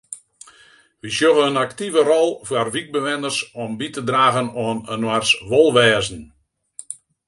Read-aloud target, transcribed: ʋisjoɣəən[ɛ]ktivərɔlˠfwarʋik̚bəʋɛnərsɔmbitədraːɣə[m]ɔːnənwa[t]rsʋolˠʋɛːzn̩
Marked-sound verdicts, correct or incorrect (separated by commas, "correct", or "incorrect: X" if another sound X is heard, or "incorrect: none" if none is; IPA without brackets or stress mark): incorrect: a, incorrect: n, incorrect: none